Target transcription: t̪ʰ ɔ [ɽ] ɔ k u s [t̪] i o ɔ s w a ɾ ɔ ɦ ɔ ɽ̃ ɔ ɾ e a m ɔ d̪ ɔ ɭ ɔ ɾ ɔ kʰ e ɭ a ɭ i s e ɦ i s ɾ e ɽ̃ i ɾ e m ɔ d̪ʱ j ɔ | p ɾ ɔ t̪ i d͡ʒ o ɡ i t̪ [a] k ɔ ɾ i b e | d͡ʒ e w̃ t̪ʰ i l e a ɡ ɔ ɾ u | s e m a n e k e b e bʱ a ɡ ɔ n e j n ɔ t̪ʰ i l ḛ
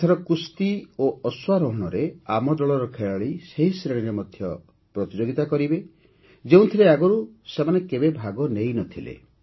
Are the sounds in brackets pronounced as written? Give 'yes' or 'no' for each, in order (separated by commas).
no, yes, yes